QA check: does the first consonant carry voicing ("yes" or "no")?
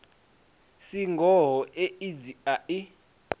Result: no